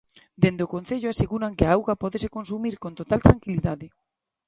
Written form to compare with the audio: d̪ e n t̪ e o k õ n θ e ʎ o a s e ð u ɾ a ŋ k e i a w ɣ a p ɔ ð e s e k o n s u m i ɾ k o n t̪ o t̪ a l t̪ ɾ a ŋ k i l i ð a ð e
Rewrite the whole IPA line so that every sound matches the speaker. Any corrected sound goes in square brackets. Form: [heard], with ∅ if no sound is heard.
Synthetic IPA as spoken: d̪ e n [d̪] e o k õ n θ e ʎ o a s e [ɣ] u ɾ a ŋ k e [a] a w ɣ a p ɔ ð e s e k o n s u m i ɾ k o n t̪ o t̪ a l t̪ ɾ a ŋ k i l i ð a ð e